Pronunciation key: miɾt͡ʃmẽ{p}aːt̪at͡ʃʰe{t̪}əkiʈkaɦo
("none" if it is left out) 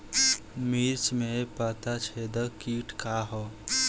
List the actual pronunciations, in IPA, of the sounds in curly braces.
p, d̪

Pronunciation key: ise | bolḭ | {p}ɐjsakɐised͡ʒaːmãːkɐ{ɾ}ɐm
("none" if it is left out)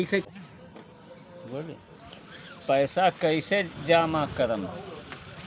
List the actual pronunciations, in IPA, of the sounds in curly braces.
p, ɾ

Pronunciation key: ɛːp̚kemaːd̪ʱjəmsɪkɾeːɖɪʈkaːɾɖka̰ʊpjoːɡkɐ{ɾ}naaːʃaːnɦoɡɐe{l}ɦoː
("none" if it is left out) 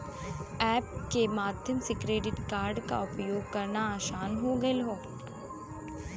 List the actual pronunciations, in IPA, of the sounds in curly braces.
ɾ, l

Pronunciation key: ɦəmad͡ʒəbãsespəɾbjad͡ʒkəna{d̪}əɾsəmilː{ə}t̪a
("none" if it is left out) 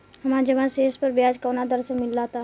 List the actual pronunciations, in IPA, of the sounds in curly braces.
d̪, a

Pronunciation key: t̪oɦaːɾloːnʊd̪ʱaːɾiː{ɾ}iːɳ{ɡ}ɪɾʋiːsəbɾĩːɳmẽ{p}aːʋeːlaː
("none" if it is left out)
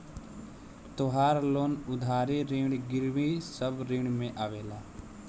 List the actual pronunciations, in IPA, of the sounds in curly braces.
ɾ, ɡ, ʔ

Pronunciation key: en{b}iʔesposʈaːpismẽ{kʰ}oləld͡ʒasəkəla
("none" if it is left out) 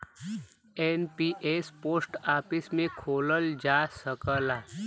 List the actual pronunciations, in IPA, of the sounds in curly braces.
p, kʰ

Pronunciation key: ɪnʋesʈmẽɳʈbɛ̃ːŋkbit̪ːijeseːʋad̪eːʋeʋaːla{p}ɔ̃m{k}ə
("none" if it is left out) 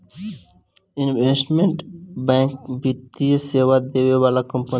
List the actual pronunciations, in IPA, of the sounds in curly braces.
k, p

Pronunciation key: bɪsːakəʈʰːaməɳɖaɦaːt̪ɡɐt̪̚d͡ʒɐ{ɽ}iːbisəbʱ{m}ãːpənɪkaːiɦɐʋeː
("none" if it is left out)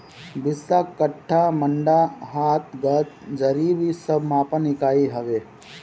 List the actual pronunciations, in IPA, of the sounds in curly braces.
ɾ, m

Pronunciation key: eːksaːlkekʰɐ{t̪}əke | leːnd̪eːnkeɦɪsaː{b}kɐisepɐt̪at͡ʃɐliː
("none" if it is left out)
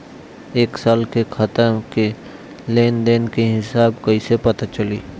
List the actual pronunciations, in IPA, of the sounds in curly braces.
t̪, b

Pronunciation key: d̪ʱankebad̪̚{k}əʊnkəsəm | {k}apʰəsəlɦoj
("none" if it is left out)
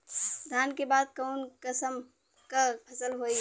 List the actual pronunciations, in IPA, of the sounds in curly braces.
k, k

